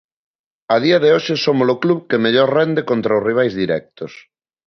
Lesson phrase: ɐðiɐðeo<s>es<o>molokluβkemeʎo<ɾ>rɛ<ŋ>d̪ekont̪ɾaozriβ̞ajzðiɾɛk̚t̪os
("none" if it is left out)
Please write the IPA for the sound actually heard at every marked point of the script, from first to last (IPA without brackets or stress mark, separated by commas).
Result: ʃ, o, ɾ, n